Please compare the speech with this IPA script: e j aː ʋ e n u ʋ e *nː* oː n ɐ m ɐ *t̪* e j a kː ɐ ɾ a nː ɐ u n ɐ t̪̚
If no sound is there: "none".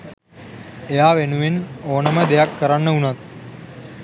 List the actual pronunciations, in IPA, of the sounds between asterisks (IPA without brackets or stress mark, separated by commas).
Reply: n, d̪